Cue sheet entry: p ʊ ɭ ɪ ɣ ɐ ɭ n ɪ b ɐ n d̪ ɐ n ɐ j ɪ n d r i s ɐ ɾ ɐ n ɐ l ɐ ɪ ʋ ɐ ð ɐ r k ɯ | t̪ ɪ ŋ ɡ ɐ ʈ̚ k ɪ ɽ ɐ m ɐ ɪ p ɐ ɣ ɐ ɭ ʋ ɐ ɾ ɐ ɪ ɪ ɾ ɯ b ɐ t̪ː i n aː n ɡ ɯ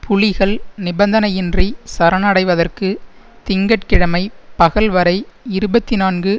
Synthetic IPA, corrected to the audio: p ʊ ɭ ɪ ɣ ɐ ɭ n ɪ b ɐ n d̪ ɐ n ɐ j ɪ n d r i s ɐ ɾ ɐ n ɐ ɽ ɐ ɪ ʋ ɐ ð ɐ r k ɯ | t̪ ɪ ŋ ɡ ɐ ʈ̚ k ɪ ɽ ɐ m ɐ ɪ p ɐ ɣ ɐ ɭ ʋ ɐ ɾ ɐ ɪ ɪ ɾ ɯ b ɐ t̪ː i n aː n ɡ ɯ